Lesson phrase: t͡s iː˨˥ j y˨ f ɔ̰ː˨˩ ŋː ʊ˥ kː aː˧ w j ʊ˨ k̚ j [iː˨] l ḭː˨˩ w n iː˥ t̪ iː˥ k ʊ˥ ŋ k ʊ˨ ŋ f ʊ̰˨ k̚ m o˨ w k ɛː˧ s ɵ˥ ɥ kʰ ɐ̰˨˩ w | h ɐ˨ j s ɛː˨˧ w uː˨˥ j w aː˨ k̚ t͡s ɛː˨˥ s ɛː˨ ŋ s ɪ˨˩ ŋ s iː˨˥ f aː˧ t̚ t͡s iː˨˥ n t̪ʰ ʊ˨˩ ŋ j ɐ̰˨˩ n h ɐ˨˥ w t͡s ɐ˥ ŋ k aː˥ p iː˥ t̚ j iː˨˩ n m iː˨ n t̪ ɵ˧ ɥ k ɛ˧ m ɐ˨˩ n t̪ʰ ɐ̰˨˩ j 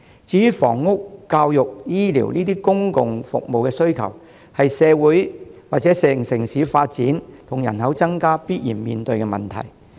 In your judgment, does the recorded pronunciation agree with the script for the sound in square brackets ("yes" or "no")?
no